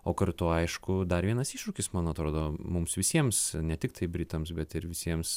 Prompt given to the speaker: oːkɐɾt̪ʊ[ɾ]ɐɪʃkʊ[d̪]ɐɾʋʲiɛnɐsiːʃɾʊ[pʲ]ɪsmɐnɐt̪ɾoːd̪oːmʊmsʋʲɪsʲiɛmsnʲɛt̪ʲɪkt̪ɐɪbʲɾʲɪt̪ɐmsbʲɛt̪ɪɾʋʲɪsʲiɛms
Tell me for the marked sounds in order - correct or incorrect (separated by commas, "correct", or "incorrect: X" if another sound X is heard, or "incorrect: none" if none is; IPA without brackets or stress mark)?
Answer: incorrect: none, correct, incorrect: kʲ